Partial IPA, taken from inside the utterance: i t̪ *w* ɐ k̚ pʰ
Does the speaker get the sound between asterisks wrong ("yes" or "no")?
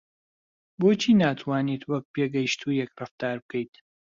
no